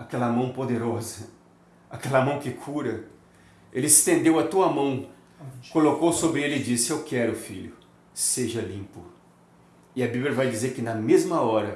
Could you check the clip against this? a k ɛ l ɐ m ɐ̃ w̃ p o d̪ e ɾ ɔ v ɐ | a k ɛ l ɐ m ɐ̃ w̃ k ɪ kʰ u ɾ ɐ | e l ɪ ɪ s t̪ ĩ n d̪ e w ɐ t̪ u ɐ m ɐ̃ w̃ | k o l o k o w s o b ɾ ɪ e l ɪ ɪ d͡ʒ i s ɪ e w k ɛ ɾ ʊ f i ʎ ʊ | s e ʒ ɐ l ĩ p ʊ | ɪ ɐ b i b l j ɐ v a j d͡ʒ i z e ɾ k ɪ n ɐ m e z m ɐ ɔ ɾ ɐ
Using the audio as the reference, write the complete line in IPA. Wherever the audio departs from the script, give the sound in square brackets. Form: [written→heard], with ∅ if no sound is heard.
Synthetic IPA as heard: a k ɛ l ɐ m ɐ̃ w̃ p o d̪ e ɾ ɔ [v→z] ɐ | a k ɛ l ɐ m ɐ̃ w̃ k ɪ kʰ u ɾ ɐ | e l ɪ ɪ s t̪ [ĩ→ẽ] n d̪ e w ɐ t̪ u ɐ m ɐ̃ w̃ | k o l o k o w s o b ɾ ɪ e l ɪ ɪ d͡ʒ i s ɪ e w k ɛ ɾ ʊ f i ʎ ʊ | s e ʒ ɐ l ĩ p ʊ | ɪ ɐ b i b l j ɐ v a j d͡ʒ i z e ɾ k ɪ n ɐ m e z m ɐ ɔ ɾ ɐ